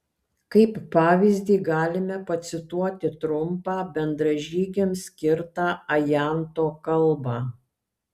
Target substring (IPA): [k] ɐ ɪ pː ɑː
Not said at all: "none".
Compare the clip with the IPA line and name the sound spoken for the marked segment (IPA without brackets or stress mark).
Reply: k